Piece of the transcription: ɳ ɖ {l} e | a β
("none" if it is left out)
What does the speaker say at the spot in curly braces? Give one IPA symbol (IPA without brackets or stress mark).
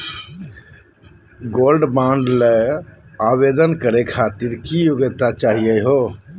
l